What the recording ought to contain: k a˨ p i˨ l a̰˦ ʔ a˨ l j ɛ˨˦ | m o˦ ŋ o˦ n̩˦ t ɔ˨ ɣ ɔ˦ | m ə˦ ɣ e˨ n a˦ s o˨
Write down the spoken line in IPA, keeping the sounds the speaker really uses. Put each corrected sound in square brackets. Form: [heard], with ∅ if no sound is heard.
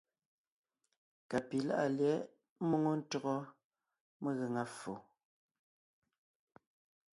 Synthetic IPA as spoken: k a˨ p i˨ l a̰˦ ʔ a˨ l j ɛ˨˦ | m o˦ ŋ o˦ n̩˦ t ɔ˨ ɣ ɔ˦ | m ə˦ ɣ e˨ [ŋ] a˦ [f] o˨